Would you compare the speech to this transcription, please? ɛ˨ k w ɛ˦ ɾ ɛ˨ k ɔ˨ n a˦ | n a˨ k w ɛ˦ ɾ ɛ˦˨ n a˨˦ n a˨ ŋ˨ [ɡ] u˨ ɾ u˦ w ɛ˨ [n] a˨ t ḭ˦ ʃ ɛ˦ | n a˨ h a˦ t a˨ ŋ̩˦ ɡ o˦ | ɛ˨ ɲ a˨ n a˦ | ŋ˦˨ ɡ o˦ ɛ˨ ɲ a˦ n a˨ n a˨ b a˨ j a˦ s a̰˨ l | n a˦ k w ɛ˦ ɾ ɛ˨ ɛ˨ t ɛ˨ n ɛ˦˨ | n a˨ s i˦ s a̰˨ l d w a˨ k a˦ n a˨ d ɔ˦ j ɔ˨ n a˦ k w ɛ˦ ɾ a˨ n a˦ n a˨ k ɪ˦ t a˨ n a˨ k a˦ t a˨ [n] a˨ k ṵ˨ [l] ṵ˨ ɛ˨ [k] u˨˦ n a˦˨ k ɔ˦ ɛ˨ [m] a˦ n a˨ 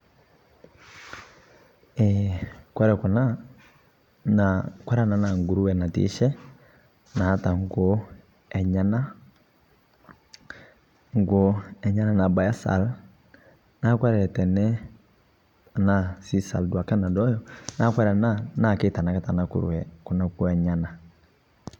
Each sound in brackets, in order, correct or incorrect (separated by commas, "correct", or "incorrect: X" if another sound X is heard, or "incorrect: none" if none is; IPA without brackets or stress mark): correct, correct, correct, incorrect: ɾ, correct, incorrect: ɲ